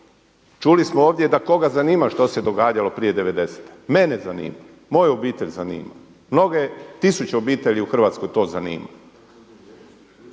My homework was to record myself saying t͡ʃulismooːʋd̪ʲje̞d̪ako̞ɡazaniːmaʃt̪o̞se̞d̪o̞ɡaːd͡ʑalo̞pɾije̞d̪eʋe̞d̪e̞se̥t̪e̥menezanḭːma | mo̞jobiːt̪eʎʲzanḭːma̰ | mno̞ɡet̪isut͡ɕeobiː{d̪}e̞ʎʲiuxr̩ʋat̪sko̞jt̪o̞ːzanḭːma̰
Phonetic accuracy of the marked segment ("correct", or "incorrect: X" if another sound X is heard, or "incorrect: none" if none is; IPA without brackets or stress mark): incorrect: t̪